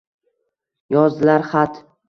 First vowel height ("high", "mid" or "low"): low